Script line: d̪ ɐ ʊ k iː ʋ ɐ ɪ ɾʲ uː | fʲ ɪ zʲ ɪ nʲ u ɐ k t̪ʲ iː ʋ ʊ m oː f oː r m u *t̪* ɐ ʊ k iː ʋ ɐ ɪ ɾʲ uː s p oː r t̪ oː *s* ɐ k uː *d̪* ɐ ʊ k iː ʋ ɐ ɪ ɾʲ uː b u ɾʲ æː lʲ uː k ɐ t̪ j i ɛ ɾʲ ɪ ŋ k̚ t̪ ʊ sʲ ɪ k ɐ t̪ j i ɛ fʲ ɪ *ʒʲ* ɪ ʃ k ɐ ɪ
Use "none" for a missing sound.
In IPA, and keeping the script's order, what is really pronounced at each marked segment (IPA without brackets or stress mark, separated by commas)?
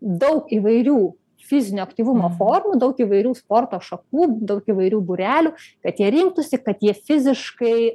d̪, ʃ, d̪, zʲ